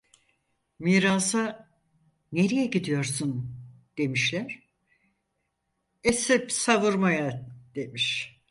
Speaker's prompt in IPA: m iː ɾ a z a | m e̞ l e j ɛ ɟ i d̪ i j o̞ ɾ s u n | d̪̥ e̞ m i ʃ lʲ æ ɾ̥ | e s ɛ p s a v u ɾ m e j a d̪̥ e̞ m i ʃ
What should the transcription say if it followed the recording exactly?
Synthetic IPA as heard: m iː ɾ a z a | n e̞ ɾ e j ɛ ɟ i d̪ i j o̞ ɾ s u n | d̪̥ e̞ m i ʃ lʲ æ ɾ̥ | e s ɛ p s a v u ɾ m a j a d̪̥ e̞ m i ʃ